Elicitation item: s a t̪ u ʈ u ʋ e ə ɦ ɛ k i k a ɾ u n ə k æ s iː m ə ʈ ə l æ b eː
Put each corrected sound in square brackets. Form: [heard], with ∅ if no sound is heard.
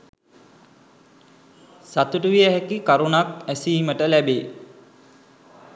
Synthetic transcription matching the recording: s a t̪ u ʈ u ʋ [i] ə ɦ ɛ k i k a ɾ u n [a] k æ s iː m ə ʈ ə l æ b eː